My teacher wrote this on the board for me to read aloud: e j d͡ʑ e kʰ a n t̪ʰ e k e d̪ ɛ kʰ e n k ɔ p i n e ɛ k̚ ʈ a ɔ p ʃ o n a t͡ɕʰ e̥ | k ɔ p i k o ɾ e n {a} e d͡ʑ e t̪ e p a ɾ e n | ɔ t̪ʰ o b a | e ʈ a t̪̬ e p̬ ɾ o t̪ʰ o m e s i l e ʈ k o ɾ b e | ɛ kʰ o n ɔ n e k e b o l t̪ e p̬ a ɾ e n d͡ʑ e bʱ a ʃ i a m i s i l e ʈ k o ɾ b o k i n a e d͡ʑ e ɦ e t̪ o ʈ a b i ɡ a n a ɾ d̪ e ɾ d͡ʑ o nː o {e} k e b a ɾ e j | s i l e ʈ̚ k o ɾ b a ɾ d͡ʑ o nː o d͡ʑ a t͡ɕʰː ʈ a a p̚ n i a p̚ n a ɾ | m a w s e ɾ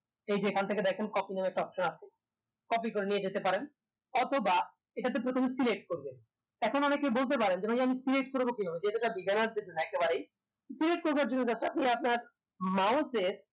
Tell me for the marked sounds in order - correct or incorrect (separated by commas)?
incorrect, incorrect